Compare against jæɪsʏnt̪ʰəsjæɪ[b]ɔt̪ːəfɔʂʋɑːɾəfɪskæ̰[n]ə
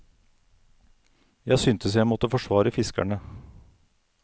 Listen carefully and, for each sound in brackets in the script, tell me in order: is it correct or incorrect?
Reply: incorrect, incorrect

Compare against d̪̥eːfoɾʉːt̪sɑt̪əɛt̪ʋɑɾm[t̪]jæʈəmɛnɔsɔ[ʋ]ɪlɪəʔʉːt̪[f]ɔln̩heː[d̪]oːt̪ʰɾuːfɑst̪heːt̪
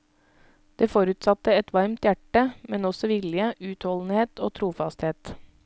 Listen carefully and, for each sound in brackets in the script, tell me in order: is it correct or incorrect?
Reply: correct, correct, incorrect, incorrect

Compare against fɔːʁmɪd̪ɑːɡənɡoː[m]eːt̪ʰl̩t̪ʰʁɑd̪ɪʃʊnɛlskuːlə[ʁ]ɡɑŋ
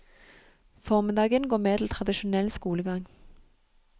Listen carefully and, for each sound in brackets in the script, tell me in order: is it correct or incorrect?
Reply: correct, incorrect

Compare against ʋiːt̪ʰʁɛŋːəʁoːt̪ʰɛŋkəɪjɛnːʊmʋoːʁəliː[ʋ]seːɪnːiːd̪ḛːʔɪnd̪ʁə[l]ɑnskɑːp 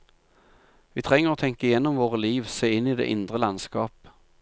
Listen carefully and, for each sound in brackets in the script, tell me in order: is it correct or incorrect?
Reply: correct, correct

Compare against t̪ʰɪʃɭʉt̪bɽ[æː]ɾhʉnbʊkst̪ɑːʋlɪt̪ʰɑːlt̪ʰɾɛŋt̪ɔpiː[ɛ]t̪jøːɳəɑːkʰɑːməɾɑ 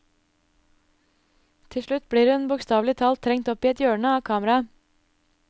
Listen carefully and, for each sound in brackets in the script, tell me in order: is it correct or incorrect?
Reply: incorrect, correct

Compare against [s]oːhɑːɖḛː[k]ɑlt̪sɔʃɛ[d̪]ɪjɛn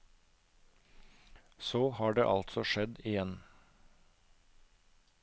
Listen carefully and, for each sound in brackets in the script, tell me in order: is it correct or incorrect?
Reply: correct, incorrect, correct

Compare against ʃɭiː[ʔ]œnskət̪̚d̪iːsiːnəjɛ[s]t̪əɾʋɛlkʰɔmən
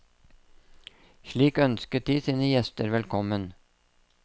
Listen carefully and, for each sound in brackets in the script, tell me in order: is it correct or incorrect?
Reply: incorrect, correct

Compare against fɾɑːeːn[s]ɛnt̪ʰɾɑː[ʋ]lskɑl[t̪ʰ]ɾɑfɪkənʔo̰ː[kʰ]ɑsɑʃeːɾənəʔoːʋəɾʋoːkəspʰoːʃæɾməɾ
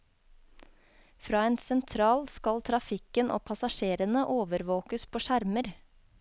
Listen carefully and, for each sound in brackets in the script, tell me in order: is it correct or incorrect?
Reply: correct, incorrect, correct, incorrect

